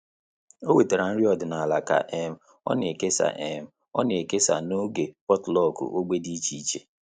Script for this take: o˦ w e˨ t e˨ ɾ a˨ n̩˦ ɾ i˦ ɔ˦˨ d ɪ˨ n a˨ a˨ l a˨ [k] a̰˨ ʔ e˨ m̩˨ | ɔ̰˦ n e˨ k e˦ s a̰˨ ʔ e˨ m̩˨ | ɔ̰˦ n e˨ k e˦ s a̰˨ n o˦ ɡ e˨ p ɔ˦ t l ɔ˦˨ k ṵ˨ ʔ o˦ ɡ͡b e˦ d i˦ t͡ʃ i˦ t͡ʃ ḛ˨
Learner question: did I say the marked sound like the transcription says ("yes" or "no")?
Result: yes